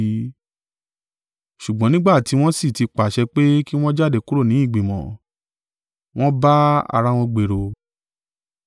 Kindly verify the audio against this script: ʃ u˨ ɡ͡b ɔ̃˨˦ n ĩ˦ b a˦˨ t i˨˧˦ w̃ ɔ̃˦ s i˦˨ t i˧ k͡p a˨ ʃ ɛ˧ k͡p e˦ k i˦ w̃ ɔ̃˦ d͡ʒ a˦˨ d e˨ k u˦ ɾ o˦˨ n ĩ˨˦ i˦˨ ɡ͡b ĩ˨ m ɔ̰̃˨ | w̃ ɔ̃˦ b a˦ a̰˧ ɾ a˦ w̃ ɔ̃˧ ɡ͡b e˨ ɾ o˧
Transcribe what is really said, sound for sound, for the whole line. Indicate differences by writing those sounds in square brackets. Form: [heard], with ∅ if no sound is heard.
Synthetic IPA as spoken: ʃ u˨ ɡ͡b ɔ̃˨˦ n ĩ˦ [ɡ͡b] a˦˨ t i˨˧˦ w̃ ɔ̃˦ s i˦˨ t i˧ k͡p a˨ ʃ ɛ˧ k͡p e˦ k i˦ w̃ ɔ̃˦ d͡ʒ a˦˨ d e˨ k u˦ ɾ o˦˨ n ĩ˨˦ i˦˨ ɡ͡b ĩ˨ m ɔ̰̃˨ | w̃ ɔ̃˦ b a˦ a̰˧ ɾ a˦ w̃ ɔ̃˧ ɡ͡b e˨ ɾ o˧

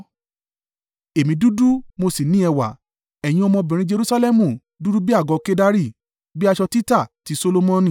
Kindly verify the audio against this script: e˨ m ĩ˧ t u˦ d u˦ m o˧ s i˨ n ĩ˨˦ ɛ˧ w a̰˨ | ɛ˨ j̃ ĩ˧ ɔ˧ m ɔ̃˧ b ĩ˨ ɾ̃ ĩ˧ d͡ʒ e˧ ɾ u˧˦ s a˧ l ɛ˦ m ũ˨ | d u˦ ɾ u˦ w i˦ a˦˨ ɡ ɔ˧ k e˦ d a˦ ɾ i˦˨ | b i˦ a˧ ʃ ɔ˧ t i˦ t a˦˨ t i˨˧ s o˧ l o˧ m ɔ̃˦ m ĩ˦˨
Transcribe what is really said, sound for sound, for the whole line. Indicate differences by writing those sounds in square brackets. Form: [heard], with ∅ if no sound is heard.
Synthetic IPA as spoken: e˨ m ĩ˧ [d] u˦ d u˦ m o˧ s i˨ n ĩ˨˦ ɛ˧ w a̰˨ | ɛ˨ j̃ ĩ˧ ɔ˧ m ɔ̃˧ b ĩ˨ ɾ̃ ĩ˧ d͡ʒ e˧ ɾ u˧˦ s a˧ l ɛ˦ m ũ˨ | d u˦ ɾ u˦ [b] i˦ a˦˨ ɡ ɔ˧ k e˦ d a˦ ɾ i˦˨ | b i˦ a˧ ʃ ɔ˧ t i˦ t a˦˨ t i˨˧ s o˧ l o˧ m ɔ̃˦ [n] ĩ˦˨

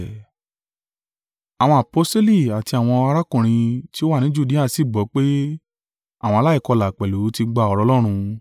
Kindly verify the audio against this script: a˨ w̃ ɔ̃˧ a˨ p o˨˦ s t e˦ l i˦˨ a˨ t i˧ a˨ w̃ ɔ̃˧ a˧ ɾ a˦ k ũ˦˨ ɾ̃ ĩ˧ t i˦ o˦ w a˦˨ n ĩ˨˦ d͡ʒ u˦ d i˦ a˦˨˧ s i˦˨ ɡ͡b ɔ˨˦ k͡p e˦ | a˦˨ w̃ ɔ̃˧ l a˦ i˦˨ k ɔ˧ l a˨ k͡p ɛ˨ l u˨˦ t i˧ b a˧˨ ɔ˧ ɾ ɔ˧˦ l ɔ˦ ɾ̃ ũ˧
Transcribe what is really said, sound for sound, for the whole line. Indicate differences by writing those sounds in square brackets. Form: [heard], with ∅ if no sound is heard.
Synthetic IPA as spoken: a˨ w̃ ɔ̃˧ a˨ p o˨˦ s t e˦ l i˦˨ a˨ t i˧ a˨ w̃ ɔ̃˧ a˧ ɾ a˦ k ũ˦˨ ɾ̃ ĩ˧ t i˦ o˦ w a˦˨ n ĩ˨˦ d͡ʒ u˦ d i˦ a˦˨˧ s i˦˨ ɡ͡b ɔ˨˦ k͡p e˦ | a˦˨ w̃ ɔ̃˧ l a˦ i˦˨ k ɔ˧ l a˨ k͡p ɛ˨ l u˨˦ t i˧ [ɡ͡b] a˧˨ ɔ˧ ɾ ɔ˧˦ l ɔ˦ ɾ̃ ũ˧

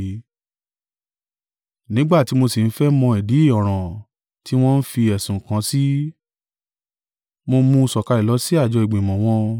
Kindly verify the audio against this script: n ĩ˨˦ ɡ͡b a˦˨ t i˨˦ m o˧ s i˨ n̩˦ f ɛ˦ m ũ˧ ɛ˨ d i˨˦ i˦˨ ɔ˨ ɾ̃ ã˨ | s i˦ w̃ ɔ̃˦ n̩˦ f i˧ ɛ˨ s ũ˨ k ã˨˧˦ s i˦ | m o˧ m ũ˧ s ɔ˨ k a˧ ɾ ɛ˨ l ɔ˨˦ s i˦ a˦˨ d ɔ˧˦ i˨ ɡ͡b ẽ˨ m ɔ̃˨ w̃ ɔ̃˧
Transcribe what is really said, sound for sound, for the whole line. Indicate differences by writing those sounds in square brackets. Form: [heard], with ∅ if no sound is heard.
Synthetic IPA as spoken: n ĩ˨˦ ɡ͡b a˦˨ t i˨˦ m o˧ s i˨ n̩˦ f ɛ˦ m [ɔ̃˧] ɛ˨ d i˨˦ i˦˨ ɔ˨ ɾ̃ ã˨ | [t] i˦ w̃ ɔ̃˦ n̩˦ f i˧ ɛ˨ s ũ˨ k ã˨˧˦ s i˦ | m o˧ m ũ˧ s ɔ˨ k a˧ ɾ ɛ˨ l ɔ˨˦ s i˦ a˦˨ [d͡ʒ] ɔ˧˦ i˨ ɡ͡b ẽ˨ m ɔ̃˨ w̃ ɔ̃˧

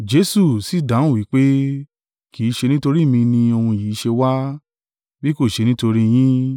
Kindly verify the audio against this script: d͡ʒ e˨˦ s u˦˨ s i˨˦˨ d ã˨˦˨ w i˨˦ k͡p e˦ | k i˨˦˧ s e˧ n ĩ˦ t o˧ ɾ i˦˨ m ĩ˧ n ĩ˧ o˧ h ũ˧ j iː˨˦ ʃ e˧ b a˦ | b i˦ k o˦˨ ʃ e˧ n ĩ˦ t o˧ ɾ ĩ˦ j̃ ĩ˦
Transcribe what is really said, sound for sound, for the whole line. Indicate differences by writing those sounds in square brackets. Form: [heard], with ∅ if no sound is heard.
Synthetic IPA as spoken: d͡ʒ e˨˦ s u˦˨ s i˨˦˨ d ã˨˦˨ w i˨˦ k͡p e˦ | k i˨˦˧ [ʃ] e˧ n ĩ˦ t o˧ ɾ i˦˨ m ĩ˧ n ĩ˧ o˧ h ũ˧ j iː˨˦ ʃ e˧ [w] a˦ | b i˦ k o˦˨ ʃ e˧ n ĩ˦ t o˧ ɾ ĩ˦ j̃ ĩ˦

